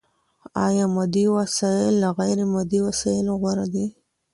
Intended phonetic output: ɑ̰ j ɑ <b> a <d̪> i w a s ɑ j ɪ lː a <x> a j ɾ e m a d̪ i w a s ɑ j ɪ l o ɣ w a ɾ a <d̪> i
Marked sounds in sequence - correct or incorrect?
incorrect: m, correct, incorrect: ɣ, correct

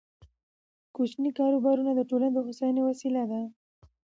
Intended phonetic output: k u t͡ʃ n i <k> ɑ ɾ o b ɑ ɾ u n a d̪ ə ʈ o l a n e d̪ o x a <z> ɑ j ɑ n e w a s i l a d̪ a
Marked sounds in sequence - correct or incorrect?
correct, incorrect: s

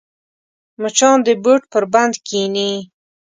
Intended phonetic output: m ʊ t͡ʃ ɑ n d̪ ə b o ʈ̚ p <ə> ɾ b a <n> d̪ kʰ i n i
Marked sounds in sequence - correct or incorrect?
correct, correct

